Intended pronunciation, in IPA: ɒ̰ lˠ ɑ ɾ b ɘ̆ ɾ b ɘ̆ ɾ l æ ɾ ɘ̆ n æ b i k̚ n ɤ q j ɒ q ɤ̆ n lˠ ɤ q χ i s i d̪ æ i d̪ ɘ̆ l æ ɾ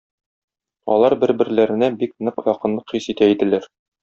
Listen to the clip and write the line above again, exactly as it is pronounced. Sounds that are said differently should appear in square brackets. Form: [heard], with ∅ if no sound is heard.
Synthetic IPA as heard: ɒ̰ lˠ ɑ ɾ b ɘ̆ ɾ b ɘ̆ ɾ l æ ɾ ɘ̆ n æ b i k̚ n ɤ q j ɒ q ɤ̆ n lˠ ɤ q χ i s i [t̪] æ i d̪ ɘ̆ l æ ɾ